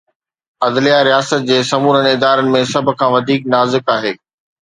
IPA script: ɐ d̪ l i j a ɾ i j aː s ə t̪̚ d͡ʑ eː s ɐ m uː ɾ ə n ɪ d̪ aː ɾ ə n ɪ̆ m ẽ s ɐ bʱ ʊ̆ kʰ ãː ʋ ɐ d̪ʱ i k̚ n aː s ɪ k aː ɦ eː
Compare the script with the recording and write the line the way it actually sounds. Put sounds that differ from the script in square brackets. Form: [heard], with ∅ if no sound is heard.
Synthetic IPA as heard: ɐ d̪ l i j a ɾ i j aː s ə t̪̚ d͡ʑ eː s ɐ m uː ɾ ə n ɪ d̪ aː ɾ ə n ɪ̆ m ẽ s ɐ bʱ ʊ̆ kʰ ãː ʋ ɐ d̪ʱ [iː] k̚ n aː [z] ɪ k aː ɦ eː

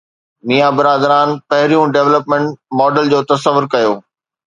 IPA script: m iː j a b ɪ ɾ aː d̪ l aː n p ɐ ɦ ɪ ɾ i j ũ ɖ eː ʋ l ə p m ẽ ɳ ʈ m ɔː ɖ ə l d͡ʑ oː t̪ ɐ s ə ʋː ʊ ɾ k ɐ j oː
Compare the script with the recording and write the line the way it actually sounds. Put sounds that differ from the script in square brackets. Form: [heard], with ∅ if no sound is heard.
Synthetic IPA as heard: m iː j a b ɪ ɾ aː d̪ [ɾ] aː n p ɐ ɦ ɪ ɾ i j ũ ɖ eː ʋ l ə p m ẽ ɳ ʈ m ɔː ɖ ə l d͡ʑ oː t̪ ɐ s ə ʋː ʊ ɾ k ɐ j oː

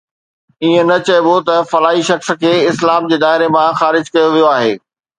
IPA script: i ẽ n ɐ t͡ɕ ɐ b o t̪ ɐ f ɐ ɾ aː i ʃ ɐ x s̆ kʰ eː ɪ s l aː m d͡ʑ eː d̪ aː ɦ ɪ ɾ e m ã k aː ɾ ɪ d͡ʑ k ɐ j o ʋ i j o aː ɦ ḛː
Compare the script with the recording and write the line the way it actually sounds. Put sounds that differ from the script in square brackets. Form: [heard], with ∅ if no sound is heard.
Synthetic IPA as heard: i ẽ n ɐ t͡ɕ ɐ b o t̪ ɐ f ɐ [l] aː i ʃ ɐ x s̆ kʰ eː ɪ s l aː m d͡ʑ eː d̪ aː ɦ ɪ ɾ e m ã [x] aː ɾ ɪ d͡ʑ k ɐ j o ʋ i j o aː ɦ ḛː

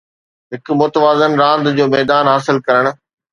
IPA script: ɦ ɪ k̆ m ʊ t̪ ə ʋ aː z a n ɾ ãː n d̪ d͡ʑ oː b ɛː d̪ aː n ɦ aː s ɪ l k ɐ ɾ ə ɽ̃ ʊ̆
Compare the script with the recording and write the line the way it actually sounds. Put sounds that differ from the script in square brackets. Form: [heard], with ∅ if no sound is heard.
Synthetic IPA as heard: ɦ ɪ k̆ m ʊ t̪ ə ʋ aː z [ə] n ɾ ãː n d̪ d͡ʑ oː [m] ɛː d̪ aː n ɦ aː s ɪ l k ɐ ɾ ə ɽ̃ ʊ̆

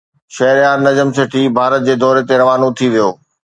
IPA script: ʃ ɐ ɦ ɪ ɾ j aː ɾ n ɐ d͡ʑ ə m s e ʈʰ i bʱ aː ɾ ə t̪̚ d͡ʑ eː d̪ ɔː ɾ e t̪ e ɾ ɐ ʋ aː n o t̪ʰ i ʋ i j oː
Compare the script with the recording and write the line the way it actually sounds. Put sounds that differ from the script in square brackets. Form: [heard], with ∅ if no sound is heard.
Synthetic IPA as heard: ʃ ɐ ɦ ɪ ɾ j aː ɾ n ɐ d͡ʑ ə m s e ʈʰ i bʱ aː ɾ ə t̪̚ d͡ʑ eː d̪ ɔː ɾ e t̪ e ɾ ɐ ʋ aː n o t̪ʰ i ʋ i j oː

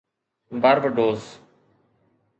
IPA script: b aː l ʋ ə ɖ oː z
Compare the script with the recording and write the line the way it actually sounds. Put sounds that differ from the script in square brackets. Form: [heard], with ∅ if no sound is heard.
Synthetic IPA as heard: b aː [ɾ] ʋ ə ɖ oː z

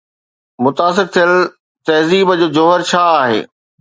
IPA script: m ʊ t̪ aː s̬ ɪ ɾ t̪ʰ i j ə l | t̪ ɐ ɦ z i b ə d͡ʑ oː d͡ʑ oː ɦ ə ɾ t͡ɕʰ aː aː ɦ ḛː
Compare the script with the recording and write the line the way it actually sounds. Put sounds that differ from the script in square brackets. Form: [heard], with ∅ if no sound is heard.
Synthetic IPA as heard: m ʊ t̪ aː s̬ ɪ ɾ t̪ʰ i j ə l | t̪ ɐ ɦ z [iː] b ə d͡ʑ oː d͡ʑ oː ɦ ə ɾ t͡ɕʰ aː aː ɦ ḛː

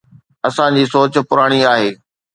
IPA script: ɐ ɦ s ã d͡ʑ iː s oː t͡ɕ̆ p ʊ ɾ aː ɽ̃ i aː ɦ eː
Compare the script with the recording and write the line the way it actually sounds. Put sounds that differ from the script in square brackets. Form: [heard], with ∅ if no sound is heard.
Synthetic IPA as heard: ɐ [∅] s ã d͡ʑ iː s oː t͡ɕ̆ p ʊ ɾ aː ɽ̃ i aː ɦ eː

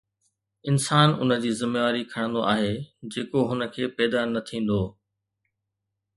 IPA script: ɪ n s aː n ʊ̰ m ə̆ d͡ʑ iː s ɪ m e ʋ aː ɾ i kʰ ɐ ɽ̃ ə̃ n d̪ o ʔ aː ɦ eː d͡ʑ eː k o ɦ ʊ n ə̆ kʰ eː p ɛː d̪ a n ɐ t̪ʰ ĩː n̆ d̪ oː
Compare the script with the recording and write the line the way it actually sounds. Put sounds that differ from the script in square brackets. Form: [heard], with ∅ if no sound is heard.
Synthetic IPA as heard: ɪ n s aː n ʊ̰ [n] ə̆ d͡ʑ iː [z] ɪ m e ʋ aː ɾ i kʰ ɐ ɽ̃ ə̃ n d̪ o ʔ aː ɦ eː d͡ʑ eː k o ɦ ʊ n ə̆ kʰ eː p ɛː d̪ a n ɐ t̪ʰ ĩː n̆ d̪ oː

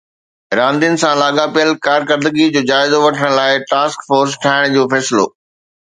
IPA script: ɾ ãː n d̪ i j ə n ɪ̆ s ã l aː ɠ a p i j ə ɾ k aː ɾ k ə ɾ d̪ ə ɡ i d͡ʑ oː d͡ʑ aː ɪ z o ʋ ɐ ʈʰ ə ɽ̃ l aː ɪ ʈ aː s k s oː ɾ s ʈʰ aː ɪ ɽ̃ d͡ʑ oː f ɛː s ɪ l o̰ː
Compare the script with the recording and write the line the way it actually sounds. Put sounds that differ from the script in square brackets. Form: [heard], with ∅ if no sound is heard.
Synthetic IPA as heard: ɾ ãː n d̪ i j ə n ɪ̆ s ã l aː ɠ a p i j ə [l] k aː ɾ k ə ɾ d̪ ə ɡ i d͡ʑ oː d͡ʑ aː ɪ z o ʋ ɐ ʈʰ ə ɽ̃ l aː ɪ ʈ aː s k [f] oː ɾ s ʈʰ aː ɪ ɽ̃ d͡ʑ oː f ɛː s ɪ l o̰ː

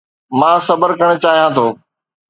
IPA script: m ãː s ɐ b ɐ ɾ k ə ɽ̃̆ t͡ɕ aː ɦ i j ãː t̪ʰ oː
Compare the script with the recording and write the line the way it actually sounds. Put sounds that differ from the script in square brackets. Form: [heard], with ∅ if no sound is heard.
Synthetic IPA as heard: m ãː s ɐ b [ə] ɾ k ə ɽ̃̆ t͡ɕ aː ɦ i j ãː t̪ʰ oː

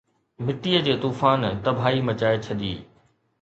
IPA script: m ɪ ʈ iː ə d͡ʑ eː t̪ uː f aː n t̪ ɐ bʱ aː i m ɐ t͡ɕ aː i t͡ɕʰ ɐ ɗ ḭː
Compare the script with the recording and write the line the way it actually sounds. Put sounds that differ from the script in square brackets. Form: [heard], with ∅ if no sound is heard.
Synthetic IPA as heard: m ɪ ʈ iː ə d͡ʑ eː t̪ uː f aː n t̪ ɐ bʱ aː i m ɐ t͡ɕ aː [e] t͡ɕʰ ɐ ɗ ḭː

